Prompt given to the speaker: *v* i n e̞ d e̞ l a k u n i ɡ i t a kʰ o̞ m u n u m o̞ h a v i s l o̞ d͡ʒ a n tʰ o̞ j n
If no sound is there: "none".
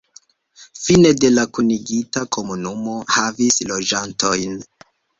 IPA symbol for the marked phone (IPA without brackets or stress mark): f